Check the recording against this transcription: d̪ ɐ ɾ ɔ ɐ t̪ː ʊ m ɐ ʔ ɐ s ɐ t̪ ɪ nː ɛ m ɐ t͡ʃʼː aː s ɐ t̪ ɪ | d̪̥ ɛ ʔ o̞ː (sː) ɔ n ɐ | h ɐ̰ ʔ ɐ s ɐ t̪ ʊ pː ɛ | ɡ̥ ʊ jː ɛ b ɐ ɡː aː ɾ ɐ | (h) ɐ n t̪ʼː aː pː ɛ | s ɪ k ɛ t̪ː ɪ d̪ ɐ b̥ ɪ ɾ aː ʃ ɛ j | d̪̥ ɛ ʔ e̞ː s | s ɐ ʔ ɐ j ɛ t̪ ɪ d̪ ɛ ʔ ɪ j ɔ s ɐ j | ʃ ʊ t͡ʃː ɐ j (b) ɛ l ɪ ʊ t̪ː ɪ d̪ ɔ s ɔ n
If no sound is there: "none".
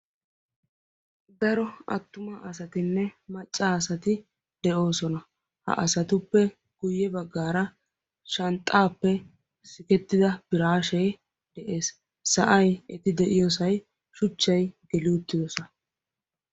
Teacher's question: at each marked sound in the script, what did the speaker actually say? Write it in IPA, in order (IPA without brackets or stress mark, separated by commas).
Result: s, ʃ, ɡ